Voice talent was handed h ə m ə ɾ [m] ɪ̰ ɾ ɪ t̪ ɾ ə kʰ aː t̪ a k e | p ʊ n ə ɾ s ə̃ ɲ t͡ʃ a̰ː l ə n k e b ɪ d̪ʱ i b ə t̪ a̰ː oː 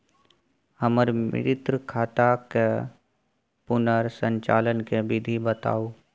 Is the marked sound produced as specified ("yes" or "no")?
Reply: yes